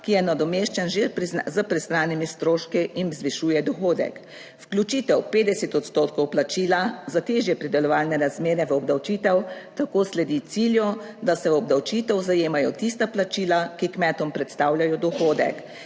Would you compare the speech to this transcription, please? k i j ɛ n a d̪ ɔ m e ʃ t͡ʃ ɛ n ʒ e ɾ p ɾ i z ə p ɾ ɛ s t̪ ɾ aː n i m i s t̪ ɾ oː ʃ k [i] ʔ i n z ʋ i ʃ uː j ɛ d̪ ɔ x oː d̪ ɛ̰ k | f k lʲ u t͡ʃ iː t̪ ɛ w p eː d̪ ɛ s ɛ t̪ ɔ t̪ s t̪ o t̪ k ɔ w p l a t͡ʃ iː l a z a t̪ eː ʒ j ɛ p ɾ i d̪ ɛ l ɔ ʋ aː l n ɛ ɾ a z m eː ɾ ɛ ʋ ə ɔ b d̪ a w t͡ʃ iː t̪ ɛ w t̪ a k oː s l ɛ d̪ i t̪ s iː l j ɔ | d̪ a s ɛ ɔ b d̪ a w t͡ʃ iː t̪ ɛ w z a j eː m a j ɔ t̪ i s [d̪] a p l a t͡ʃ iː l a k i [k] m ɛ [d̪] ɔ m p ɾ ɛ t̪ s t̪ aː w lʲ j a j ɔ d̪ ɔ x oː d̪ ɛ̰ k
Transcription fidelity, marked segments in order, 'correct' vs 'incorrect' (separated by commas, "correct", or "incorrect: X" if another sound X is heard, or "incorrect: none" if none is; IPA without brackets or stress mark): correct, incorrect: t̪, correct, incorrect: t̪